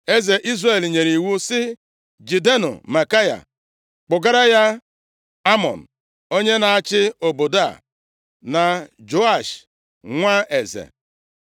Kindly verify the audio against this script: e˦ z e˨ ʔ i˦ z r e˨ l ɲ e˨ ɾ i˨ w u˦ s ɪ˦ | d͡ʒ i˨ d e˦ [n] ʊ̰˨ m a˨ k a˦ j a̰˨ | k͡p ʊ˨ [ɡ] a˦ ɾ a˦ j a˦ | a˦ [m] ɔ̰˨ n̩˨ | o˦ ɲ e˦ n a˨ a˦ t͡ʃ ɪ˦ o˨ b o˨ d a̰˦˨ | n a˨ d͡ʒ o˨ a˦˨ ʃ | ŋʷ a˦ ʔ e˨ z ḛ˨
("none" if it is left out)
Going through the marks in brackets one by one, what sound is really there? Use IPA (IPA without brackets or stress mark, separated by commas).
n, ɡ, m